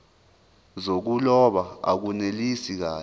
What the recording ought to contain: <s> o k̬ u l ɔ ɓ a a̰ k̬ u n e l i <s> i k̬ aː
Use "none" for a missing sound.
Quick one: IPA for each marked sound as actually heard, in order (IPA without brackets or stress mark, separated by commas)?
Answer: z, s